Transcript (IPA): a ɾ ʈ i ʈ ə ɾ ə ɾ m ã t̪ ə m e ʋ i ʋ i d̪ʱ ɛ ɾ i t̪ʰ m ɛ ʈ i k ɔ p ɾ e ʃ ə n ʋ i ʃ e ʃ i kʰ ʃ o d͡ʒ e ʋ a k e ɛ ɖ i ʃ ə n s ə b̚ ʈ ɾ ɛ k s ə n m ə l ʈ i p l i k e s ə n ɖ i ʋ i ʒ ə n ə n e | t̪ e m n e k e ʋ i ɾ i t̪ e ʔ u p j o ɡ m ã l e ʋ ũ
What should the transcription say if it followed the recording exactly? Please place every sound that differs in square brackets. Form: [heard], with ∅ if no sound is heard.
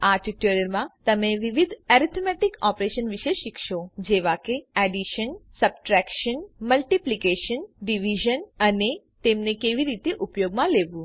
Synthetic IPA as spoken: a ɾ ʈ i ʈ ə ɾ ə ɾ m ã t̪ ə m e ʋ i ʋ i d̪ʱ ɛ ɾ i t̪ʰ m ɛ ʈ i k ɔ p ɾ e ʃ ə n ʋ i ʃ e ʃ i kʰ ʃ o d͡ʒ e ʋ a k e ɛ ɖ i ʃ ə n s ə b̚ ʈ ɾ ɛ k [ʃ] ə n m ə l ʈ i p l i k e [ʃ] ə n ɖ i ʋ i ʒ ə n ə n e | t̪ e m n e k e ʋ i ɾ i t̪ e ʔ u p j o ɡ m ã l e ʋ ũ